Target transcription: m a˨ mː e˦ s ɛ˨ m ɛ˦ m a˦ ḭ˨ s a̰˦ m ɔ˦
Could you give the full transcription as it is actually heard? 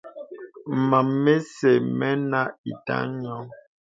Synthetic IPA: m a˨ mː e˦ s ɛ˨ m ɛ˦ n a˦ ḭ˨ t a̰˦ ɲ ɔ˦